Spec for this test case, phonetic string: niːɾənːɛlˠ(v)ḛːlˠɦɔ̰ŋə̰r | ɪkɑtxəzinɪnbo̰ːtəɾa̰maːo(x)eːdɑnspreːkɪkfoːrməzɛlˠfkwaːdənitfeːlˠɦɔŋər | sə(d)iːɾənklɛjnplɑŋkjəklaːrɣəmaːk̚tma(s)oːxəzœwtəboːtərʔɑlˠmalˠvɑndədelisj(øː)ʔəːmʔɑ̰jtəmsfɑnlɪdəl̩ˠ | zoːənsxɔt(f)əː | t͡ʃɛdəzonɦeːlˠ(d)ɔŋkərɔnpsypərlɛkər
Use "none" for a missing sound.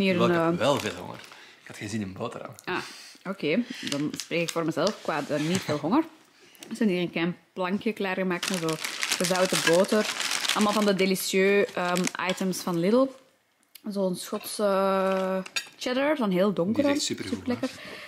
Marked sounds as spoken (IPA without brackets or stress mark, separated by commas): v, k, n, z, øː, s, d